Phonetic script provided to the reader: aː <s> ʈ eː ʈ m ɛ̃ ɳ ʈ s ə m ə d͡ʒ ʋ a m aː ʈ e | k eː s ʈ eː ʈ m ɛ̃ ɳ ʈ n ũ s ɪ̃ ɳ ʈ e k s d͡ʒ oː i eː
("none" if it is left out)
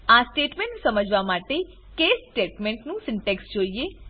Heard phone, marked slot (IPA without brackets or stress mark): s